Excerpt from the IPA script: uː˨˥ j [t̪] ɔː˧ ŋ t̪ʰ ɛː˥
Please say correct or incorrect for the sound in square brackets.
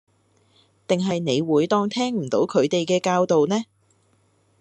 correct